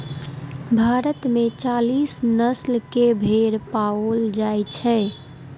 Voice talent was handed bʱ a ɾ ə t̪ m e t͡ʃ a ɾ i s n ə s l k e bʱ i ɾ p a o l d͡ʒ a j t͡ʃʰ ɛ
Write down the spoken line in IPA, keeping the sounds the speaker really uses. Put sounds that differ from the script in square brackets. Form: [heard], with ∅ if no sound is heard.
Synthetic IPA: bʱ a ɾ ə t̪ m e t͡ʃ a [l] i s n ə s l k e bʱ [e] ɾ p a o l d͡ʒ a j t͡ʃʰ ɛ